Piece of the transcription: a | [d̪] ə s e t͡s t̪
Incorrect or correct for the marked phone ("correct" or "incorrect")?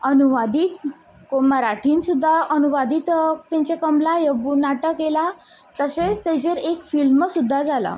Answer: incorrect